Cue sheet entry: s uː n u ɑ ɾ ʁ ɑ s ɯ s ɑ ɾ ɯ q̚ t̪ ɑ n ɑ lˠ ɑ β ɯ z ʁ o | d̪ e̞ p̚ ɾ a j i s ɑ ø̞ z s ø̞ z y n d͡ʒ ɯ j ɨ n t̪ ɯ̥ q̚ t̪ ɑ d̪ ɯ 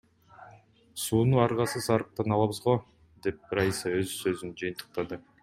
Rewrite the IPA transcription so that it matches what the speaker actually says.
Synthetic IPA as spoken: s uː n u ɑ ɾ ʁ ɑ s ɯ s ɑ ɾ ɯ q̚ t̪ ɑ n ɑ lˠ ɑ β ɯ z ʁ o | d̪ e̞ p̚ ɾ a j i s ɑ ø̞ z s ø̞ z y n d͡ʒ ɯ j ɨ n t̪ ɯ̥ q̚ t̪ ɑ d̪ ɯ